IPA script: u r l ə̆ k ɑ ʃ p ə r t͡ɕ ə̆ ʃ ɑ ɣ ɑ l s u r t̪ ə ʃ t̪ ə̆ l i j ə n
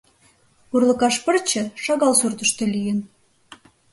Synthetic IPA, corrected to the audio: u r l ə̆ k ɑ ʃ p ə r t͡ɕ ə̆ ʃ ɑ ɣ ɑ l s u r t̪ ə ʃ t̪ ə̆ l i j ə n